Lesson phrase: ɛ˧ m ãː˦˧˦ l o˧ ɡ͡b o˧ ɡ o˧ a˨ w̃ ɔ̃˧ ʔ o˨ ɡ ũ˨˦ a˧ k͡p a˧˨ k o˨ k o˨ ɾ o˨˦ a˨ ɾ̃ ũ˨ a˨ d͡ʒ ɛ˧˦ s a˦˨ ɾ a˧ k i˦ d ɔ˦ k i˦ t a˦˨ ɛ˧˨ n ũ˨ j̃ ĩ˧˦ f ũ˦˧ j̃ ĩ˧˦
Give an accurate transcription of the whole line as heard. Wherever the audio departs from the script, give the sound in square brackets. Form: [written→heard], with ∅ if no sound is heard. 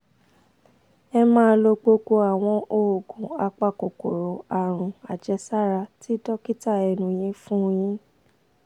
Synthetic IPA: ɛ˧ m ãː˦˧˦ l o˧ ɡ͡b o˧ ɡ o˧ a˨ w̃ ɔ̃˧ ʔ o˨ ɡ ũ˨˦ a˧ k͡p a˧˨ k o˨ k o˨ ɾ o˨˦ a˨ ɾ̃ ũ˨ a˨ d͡ʒ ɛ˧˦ s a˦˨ ɾ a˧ [k→t] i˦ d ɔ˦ k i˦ t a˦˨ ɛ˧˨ n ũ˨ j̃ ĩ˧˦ f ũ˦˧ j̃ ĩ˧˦